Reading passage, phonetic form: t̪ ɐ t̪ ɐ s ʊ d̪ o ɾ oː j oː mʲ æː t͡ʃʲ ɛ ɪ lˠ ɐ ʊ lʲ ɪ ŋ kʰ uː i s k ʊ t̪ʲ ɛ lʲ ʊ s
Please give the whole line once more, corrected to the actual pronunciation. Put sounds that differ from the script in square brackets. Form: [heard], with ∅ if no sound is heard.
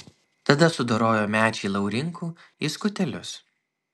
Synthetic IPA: t̪ ɐ [d̪] ɐ s ʊ d̪ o ɾ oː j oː mʲ æː t͡ʃʲ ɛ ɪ lˠ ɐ ʊ [ɾʲ] ɪ ŋ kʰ uː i s k ʊ t̪ʲ ɛ lʲ ʊ s